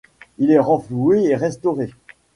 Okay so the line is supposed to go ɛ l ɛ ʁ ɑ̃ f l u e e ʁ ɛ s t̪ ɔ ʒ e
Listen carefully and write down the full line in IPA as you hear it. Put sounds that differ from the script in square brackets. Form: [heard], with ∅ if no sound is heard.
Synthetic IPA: [i] l ɛ ʁ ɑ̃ f l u e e ʁ ɛ s t̪ ɔ [ʁ] e